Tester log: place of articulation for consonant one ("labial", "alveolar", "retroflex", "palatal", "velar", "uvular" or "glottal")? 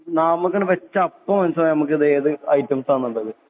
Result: alveolar